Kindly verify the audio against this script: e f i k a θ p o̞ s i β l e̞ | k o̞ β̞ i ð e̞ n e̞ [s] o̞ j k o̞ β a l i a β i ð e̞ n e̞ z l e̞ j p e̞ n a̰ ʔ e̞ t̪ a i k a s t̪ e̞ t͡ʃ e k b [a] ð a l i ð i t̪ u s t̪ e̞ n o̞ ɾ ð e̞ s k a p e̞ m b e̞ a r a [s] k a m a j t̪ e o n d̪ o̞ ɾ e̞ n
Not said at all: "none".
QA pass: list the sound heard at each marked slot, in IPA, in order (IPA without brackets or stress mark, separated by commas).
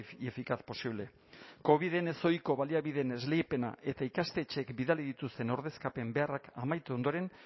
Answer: s, i, none